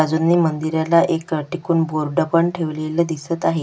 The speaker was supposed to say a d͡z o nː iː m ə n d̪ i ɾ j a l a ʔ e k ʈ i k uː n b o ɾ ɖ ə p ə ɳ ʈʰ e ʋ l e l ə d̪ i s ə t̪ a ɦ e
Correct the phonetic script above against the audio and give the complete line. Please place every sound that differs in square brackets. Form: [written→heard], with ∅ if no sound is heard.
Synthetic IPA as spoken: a d͡z [o→u] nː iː m ə n d̪ i ɾ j a l a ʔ e k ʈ i k uː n b o ɾ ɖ ə p ə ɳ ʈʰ e ʋ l e l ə d̪ i s ə t̪ a ɦ e